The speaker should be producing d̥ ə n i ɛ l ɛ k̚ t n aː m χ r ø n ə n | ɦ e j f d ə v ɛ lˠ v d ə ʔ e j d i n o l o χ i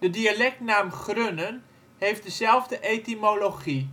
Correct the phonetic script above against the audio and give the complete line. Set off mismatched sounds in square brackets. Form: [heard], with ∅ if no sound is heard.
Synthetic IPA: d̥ ə [d] i [a] l ɛ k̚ t n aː m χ r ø n ə n | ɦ e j f d ə [z] ɛ lˠ v d ə ʔ e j [t] i [m] o l o χ i